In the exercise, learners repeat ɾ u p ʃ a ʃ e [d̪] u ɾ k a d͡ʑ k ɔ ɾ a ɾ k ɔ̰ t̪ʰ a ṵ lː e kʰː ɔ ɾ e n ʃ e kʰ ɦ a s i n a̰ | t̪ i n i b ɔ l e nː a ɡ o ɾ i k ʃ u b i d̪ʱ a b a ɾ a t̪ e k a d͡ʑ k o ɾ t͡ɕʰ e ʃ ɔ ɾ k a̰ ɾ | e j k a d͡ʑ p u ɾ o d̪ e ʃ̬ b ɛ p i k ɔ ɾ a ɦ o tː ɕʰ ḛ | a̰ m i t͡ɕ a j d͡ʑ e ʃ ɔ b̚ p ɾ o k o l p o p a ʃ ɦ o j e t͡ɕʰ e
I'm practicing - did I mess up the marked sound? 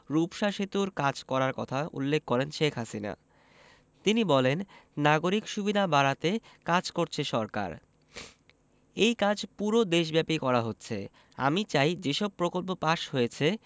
yes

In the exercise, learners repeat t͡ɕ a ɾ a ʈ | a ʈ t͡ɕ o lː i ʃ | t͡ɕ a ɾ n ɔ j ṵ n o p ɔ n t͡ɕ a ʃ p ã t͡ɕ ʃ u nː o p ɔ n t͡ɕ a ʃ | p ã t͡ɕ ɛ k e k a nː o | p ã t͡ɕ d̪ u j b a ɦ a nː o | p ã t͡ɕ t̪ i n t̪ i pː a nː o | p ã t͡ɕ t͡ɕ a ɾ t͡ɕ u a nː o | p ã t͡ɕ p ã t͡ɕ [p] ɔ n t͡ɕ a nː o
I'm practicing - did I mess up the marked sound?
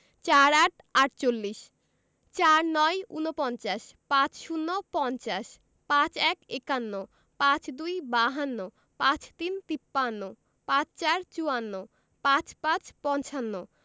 no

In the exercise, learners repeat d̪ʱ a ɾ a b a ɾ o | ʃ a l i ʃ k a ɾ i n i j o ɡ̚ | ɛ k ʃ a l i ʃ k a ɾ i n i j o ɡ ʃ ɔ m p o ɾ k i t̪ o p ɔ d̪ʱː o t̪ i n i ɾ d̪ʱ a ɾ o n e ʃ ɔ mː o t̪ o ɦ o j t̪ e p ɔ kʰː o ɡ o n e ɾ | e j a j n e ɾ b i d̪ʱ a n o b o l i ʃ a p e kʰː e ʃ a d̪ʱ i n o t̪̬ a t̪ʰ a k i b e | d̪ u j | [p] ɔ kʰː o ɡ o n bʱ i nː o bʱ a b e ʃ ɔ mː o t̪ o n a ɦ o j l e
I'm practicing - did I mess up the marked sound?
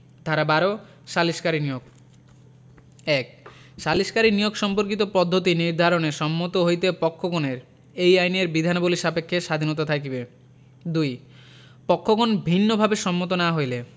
no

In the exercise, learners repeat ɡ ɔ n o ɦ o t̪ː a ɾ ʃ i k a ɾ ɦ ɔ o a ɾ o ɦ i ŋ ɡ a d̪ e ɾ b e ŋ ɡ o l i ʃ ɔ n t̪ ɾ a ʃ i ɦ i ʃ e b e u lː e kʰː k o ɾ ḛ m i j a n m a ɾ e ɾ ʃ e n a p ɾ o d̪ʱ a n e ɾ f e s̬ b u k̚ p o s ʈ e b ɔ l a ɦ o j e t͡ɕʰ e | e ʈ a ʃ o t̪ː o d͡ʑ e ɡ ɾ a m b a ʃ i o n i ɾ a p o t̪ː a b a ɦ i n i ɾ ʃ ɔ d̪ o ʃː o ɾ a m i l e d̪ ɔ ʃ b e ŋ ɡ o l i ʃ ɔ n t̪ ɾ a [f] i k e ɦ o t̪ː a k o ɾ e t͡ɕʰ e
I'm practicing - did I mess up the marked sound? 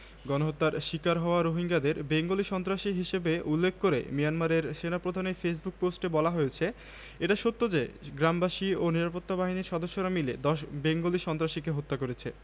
yes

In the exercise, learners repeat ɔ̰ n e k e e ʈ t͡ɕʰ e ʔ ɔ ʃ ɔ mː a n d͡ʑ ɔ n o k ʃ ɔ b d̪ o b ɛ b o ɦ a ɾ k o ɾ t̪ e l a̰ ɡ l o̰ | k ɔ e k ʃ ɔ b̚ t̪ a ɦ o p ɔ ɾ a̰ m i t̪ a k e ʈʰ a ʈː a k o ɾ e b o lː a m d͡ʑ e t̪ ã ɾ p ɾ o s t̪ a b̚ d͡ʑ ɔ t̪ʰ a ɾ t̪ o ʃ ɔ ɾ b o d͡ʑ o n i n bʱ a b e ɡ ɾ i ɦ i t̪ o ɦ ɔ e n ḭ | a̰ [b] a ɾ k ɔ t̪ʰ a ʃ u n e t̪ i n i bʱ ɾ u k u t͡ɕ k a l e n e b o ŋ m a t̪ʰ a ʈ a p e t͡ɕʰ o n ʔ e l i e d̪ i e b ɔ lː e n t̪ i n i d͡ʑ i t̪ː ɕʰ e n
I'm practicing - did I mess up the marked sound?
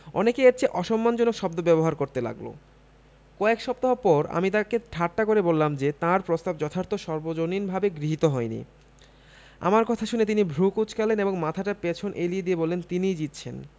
yes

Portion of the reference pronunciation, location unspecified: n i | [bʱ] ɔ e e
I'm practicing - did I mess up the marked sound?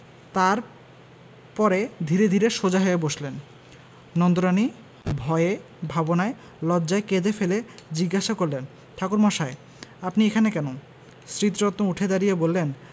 no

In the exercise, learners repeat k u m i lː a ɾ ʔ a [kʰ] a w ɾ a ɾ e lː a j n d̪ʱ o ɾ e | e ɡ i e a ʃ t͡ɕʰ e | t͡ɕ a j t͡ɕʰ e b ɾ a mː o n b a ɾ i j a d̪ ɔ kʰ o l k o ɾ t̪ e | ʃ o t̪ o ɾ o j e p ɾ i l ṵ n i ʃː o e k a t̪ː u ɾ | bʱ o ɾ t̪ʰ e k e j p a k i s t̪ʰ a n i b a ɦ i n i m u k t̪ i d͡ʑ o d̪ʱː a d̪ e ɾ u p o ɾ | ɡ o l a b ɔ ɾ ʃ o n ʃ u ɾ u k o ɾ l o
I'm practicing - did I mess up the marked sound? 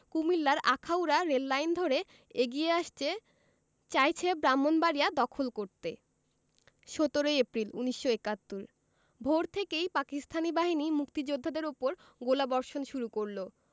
no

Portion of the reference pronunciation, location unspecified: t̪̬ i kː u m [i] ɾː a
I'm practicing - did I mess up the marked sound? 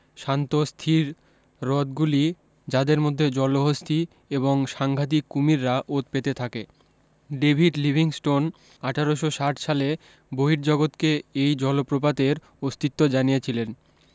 no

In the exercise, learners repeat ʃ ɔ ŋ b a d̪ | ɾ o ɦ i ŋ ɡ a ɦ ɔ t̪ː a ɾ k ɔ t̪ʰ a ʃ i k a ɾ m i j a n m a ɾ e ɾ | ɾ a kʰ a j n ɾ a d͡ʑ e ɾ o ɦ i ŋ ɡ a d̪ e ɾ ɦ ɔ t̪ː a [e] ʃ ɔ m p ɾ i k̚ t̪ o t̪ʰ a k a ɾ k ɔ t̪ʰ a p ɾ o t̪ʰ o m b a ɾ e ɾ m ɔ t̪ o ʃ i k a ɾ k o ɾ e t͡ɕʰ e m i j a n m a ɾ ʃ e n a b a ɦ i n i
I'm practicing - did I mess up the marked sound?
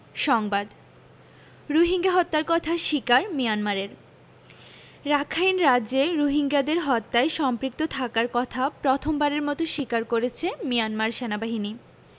no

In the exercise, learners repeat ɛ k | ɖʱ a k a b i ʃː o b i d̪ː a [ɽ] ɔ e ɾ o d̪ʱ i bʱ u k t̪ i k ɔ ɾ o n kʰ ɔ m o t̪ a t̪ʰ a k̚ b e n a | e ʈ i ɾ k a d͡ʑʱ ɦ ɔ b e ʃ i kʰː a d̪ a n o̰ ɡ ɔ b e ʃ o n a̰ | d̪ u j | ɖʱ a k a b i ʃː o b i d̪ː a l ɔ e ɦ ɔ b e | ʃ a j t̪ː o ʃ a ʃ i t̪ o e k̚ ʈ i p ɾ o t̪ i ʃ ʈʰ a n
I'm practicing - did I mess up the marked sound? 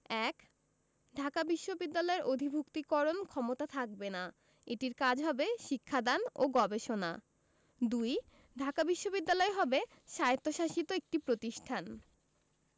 yes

